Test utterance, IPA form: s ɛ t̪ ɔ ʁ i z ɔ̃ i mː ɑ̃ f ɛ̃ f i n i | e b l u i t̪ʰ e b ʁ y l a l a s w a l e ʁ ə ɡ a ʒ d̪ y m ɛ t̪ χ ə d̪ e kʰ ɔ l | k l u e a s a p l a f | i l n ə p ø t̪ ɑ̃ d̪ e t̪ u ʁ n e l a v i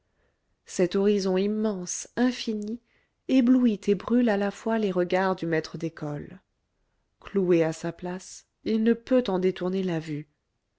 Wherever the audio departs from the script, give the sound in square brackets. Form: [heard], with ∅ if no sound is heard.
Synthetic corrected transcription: s ɛ t̪ ɔ ʁ i z ɔ̃ i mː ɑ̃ [s] ɛ̃ f i n i | e b l u i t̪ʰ e b ʁ y l a l a [f] w a l e ʁ ə ɡ a [ʁ] d̪ y m ɛ t̪ χ ə d̪ e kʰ ɔ l | k l u e a s a p l a [s] | i l n ə p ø t̪ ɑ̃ d̪ e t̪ u ʁ n e l a v [y]